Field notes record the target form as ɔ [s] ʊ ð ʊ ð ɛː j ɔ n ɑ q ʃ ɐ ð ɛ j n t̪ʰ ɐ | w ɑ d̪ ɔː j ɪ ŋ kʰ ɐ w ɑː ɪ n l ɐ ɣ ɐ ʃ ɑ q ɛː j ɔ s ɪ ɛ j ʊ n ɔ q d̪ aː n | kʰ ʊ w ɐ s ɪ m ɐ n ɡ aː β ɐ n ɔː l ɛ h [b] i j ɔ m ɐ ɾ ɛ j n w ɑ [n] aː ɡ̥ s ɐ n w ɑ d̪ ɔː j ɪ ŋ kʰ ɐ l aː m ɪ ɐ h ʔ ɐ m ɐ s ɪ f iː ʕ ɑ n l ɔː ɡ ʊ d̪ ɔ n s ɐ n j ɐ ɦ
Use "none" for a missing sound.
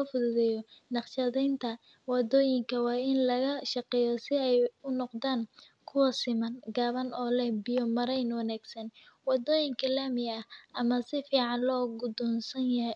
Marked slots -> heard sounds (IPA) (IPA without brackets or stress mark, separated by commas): f, b, n